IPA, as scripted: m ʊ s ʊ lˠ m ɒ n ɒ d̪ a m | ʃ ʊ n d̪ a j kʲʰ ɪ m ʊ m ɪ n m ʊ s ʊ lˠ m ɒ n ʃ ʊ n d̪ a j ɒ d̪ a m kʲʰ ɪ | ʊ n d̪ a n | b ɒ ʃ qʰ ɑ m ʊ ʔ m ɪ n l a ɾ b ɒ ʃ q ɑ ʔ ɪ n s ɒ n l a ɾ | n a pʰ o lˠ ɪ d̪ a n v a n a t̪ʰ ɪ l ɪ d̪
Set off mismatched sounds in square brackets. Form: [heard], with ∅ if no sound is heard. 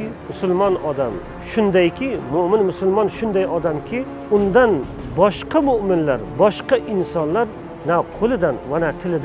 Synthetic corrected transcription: m ʊ s ʊ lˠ m ɒ n ɒ d̪ a m | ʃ ʊ n d̪ a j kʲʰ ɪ m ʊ m ɪ n m ʊ s ʊ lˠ m ɒ n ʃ ʊ n d̪ a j ɒ d̪ a m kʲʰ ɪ | ʊ n d̪ a n | b ɒ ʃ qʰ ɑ m ʊ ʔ m ɪ n l a ɾ b ɒ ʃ q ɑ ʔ ɪ n s ɒ n l a ɾ | n a [qʰ] o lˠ ɪ d̪ a n v a n a t̪ʰ ɪ l ɪ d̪